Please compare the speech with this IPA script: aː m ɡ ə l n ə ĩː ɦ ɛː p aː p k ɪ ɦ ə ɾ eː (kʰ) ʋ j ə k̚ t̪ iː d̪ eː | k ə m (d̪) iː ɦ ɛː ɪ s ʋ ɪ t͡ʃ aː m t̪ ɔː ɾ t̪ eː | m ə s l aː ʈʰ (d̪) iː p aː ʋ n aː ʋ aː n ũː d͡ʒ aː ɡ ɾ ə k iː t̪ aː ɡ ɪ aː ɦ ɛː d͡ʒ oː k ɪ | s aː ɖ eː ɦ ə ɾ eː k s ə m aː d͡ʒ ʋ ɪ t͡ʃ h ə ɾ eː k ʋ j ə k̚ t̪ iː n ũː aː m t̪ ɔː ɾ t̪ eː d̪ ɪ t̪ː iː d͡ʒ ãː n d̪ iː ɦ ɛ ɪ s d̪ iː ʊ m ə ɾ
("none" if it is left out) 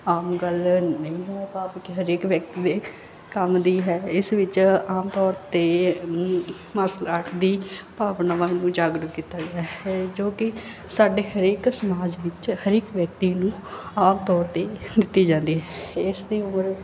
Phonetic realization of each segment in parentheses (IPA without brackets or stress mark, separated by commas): k, d̪, d̪